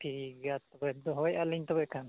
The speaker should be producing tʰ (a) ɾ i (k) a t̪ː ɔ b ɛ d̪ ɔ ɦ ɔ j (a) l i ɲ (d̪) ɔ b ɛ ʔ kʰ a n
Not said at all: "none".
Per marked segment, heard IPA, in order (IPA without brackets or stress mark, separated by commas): i, ɡ, a, t̪